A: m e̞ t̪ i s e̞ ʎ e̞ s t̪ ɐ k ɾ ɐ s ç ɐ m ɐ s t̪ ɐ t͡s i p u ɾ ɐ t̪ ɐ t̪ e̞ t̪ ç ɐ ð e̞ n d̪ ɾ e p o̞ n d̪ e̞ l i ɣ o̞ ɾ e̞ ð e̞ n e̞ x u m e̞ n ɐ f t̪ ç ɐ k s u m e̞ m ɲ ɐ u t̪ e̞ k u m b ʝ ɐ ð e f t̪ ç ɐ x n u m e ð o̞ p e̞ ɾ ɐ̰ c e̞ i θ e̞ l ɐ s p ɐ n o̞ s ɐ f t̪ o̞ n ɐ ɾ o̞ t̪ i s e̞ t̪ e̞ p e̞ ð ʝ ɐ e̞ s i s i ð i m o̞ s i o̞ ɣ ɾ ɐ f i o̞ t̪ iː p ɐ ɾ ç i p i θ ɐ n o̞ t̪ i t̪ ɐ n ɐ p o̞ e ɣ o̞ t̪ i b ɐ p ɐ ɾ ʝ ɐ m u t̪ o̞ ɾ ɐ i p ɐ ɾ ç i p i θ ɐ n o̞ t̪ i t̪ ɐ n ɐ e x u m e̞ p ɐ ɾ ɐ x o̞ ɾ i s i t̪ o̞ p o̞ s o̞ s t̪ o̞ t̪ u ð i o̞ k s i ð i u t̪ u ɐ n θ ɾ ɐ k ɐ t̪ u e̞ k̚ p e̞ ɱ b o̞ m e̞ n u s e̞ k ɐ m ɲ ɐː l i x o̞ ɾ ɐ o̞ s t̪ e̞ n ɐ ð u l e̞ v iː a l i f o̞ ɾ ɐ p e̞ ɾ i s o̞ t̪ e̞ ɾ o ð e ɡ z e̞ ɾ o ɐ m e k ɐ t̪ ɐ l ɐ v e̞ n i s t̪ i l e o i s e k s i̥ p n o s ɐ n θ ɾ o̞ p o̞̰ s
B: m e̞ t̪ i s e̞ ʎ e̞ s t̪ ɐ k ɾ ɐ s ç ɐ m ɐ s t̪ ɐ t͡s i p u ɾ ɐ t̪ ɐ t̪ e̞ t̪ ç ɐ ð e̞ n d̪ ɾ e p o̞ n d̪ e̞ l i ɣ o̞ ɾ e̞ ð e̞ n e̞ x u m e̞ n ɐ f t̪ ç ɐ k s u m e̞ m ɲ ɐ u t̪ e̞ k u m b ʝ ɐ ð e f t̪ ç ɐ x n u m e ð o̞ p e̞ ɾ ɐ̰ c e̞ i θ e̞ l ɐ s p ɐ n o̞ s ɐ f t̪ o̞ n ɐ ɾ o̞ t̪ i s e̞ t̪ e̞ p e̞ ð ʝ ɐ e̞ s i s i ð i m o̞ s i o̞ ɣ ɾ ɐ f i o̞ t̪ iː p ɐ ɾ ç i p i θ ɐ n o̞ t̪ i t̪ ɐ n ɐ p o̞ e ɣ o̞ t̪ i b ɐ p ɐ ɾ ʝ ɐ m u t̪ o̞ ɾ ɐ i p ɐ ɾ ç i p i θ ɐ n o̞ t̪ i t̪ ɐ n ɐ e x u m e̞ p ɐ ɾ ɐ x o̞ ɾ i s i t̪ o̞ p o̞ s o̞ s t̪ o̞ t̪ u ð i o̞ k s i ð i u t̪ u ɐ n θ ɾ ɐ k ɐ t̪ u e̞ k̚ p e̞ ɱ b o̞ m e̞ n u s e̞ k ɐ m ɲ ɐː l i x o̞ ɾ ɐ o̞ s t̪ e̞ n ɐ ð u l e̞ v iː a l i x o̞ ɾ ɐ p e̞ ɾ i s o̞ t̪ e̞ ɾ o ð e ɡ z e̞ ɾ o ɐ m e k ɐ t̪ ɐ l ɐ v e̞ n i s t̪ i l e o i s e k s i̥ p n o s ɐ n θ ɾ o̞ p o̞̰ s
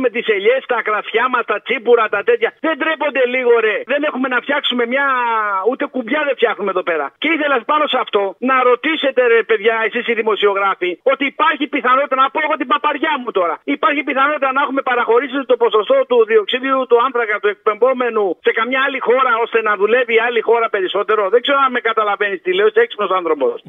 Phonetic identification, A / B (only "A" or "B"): B